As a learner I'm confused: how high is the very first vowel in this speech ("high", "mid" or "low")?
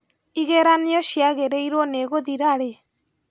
high